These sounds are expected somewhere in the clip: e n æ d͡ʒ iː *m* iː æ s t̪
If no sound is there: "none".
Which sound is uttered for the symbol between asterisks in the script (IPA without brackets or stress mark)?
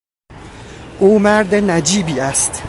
b